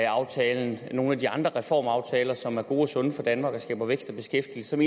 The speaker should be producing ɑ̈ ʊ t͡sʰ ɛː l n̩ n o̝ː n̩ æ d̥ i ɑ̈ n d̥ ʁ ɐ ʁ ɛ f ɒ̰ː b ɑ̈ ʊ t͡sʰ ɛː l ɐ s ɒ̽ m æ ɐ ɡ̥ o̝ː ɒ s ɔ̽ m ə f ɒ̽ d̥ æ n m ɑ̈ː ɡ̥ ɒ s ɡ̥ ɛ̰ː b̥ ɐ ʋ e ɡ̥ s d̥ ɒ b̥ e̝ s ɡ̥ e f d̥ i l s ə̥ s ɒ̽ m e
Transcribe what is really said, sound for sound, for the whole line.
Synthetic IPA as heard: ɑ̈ ʊ t͡sʰ ɛː l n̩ n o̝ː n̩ æ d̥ i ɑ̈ n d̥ ʁ ɐ ʁ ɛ f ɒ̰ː m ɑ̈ ʊ t͡sʰ ɛː l ɐ s ɒ̽ m æ ɐ ɡ̥ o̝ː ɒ s ɔ̽ n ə f ɒ̽ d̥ æ n m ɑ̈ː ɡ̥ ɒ s ɡ̥ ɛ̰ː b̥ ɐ ʋ e ɡ̥ s d̥ ɒ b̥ e̝ s ɡ̥ e f d̥ i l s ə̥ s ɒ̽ m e